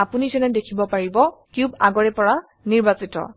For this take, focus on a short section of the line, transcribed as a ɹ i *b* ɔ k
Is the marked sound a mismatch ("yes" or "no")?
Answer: no